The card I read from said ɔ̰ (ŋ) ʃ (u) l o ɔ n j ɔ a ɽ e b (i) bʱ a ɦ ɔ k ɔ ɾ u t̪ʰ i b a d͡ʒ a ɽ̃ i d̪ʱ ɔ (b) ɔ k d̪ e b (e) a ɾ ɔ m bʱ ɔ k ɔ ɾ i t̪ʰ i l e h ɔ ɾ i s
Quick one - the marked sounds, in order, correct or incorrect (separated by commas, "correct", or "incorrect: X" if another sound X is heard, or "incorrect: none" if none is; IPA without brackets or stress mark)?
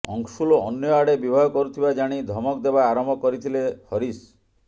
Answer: correct, correct, correct, incorrect: m, incorrect: a